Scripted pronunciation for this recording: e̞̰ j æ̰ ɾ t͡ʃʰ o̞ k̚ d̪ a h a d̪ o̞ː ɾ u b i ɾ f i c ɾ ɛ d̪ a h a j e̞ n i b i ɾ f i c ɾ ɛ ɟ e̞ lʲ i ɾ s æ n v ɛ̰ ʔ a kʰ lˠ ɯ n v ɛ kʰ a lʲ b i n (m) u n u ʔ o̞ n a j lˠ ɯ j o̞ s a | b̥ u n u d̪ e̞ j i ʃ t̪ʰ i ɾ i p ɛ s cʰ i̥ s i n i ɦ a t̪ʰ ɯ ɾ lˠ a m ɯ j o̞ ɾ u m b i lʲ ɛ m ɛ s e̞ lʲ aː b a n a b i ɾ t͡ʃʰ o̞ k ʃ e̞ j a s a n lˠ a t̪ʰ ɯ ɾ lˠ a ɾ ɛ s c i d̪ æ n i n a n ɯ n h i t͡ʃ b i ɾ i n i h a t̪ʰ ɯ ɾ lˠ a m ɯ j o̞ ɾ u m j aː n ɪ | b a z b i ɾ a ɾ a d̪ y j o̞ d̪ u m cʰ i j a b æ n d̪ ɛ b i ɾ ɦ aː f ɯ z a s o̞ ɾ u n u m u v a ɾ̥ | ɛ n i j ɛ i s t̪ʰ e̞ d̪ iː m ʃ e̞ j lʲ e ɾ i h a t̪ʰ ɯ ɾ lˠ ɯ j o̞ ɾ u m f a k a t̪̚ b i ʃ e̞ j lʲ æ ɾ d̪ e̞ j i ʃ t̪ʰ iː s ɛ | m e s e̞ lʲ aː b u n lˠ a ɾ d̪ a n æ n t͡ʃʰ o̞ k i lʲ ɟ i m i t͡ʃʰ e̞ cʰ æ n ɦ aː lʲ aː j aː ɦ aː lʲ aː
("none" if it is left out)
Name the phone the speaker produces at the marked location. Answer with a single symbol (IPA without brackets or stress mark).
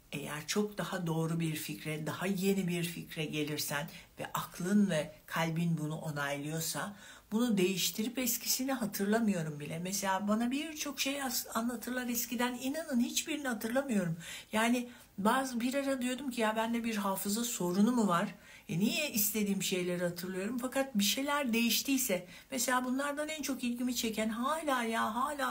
b